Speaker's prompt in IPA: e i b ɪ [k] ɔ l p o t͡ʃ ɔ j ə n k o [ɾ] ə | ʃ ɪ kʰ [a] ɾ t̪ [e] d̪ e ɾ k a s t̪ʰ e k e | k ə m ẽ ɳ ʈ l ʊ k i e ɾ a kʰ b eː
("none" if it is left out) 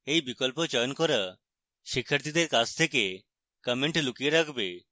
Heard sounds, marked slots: k, ɾ, ə, i

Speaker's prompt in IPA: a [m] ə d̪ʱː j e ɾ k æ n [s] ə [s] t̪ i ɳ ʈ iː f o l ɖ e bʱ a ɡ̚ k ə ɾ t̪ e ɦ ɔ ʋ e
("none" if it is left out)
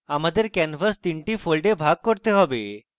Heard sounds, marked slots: m, f, s

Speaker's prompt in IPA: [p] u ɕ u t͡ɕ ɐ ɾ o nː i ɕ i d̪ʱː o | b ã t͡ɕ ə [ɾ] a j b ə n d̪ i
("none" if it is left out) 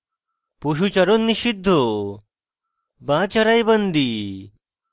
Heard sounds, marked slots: p, ɾ

